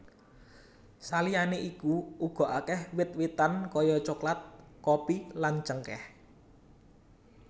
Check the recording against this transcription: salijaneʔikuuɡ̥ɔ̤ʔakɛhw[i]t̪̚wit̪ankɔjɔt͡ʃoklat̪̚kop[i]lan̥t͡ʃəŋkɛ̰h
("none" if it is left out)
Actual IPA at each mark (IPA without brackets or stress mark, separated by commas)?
ɪ, i